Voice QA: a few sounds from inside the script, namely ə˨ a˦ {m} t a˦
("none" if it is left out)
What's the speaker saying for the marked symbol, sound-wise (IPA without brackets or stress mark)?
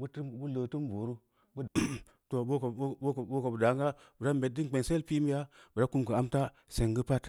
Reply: m